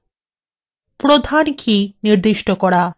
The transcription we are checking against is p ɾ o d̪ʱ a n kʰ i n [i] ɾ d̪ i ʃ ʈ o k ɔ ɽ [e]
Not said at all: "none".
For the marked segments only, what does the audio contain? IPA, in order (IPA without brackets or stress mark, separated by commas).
i, a